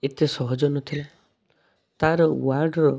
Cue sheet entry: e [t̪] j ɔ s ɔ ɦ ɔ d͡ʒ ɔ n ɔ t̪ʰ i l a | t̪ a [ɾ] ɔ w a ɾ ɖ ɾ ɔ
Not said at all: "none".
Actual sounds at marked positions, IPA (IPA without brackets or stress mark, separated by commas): t̪, ɾ